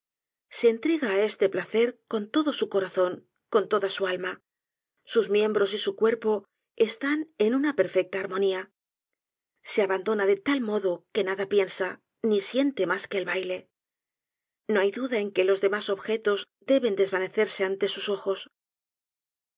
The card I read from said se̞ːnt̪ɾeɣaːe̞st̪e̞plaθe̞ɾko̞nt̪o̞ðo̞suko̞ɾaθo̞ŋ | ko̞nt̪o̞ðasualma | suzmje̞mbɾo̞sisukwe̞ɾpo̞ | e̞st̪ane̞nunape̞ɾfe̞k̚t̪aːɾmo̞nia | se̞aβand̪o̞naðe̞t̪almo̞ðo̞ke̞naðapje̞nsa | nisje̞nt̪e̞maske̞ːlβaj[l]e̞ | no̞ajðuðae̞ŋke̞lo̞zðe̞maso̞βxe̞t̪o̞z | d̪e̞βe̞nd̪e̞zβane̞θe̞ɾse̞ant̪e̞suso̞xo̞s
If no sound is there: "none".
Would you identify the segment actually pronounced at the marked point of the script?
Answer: l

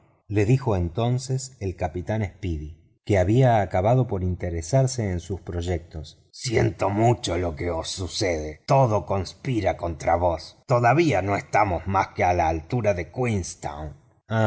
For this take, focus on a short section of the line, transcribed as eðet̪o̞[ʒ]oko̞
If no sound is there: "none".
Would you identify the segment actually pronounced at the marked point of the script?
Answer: ð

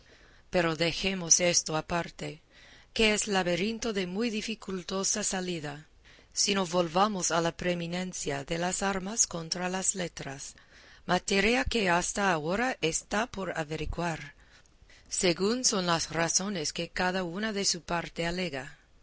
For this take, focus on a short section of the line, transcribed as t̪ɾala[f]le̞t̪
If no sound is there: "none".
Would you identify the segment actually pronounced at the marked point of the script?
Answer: s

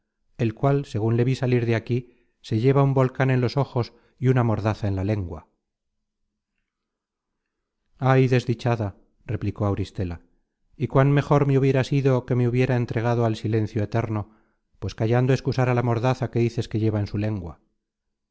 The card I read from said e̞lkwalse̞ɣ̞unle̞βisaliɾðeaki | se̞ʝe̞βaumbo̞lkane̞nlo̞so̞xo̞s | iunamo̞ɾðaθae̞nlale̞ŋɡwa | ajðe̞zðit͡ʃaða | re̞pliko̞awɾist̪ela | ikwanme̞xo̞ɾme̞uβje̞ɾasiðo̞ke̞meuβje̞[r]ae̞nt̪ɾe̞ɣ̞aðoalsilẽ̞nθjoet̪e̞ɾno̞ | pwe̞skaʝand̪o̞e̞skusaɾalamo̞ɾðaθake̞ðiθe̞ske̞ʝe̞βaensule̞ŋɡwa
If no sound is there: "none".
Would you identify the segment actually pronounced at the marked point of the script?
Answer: ɾ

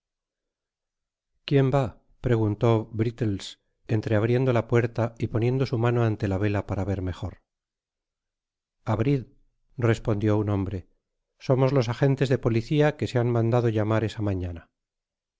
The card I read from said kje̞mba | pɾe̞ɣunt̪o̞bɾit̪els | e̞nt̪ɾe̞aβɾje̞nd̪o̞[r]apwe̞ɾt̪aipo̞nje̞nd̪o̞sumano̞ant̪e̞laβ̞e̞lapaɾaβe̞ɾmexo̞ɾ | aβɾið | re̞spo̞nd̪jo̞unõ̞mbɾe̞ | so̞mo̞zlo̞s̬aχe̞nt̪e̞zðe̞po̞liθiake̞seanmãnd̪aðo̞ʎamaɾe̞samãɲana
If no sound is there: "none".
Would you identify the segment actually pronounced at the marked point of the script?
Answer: l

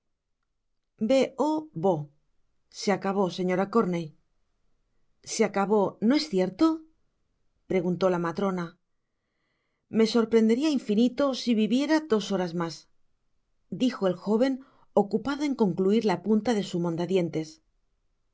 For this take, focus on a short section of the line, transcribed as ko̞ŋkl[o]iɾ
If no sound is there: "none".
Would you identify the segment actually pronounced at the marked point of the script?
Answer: u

